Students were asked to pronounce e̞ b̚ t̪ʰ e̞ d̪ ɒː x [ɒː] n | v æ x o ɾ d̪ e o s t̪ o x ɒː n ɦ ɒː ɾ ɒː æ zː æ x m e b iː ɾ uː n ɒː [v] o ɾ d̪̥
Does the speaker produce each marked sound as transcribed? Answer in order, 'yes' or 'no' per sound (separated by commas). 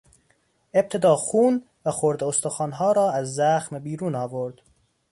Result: no, yes